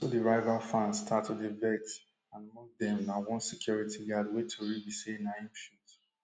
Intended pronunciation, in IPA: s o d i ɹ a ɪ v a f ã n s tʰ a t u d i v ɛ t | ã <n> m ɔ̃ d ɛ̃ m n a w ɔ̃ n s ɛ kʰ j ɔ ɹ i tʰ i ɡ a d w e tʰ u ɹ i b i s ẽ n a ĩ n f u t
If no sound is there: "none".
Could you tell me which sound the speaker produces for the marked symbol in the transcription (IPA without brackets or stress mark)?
n